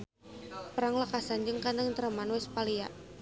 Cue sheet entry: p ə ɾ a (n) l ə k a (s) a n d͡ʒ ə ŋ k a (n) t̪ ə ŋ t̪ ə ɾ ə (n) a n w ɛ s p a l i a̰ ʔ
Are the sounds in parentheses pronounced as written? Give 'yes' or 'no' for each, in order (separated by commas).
no, yes, yes, no